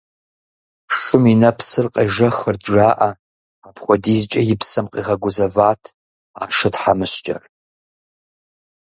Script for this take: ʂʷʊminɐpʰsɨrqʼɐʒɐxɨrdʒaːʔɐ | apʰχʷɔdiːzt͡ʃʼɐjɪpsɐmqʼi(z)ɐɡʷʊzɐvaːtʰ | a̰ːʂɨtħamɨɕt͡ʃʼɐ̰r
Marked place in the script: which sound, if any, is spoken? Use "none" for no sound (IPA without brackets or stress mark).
ʁ